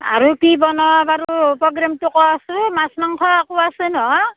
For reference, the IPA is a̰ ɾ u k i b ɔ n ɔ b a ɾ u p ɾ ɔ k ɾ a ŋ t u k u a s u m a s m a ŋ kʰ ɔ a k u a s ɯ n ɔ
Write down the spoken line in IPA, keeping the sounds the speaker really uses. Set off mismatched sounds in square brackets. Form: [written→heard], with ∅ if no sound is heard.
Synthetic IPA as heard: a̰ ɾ u k i b ɔ n ɔ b a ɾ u p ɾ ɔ [k→ɡ] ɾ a [ŋ→m] t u k [u→ɔ] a s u m a s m a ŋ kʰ ɔ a k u a s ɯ n ɔ